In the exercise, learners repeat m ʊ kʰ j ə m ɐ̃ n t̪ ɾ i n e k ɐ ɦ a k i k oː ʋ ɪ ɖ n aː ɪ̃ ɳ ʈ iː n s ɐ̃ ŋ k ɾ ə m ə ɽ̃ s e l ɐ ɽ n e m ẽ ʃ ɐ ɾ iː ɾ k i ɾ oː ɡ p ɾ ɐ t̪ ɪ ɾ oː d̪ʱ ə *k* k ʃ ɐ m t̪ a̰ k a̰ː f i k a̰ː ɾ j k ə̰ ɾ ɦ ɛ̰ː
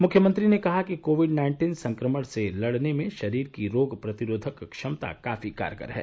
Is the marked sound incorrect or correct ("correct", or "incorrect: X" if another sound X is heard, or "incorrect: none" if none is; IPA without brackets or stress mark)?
correct